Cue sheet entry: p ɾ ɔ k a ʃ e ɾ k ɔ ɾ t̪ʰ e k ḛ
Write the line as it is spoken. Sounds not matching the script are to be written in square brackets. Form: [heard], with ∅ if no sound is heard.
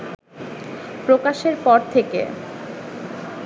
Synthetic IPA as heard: p ɾ [o] k a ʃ e ɾ [p] ɔ ɾ t̪ʰ e k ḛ